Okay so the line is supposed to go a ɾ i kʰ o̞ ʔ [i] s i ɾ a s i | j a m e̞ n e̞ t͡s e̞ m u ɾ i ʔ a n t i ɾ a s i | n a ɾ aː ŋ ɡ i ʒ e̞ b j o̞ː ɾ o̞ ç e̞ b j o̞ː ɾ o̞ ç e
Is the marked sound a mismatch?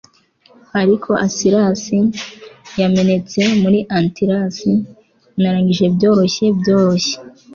yes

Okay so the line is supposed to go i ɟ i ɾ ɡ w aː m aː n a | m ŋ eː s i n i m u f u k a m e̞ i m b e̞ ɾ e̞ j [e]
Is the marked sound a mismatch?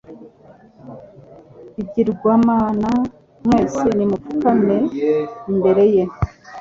no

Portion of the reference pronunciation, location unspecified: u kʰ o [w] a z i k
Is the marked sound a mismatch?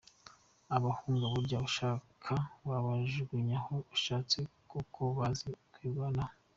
yes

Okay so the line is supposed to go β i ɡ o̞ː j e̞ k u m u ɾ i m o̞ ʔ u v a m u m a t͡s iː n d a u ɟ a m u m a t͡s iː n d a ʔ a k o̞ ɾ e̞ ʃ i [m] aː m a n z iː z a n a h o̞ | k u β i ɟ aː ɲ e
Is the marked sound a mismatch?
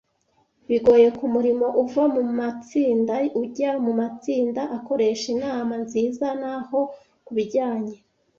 yes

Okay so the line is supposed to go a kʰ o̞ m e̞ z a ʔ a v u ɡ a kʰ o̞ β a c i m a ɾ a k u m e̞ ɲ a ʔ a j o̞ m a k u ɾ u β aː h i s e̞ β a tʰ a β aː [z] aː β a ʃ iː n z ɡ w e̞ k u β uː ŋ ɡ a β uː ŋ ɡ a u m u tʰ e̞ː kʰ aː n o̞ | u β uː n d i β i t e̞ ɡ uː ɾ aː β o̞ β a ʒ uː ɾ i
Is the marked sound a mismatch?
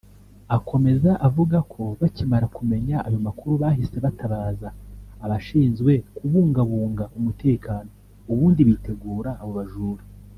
no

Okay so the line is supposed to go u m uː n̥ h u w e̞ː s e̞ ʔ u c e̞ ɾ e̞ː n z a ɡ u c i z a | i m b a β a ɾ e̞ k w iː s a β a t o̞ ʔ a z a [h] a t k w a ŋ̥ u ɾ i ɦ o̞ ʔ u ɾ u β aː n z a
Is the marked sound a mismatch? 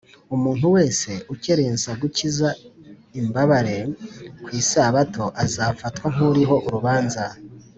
yes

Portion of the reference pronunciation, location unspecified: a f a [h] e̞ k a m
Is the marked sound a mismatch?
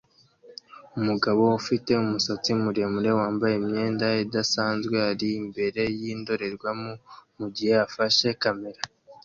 yes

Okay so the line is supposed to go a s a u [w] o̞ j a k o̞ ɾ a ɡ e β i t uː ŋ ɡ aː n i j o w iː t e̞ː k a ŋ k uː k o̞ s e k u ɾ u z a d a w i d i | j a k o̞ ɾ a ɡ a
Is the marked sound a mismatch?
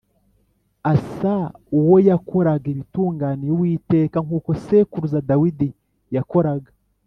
no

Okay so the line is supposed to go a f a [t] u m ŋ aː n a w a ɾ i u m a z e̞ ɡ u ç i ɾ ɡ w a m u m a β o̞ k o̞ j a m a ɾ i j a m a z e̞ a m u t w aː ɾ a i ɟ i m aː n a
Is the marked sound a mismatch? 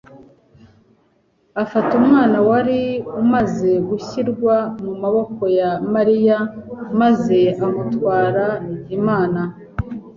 no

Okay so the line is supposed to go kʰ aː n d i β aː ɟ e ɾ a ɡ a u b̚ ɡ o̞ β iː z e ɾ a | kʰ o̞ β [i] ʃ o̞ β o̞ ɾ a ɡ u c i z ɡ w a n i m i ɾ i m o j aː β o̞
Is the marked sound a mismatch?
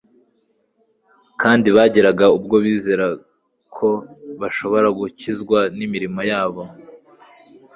yes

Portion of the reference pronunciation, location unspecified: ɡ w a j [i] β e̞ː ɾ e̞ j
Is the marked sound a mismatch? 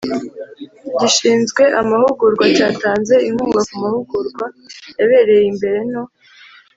yes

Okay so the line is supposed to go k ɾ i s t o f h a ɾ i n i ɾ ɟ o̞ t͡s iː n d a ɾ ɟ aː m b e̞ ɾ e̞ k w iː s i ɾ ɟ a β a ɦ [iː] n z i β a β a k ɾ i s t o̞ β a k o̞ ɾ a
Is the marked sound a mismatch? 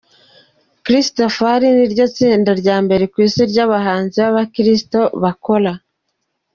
yes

